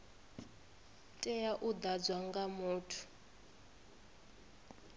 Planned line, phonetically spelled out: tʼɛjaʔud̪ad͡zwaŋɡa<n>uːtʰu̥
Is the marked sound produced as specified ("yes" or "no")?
no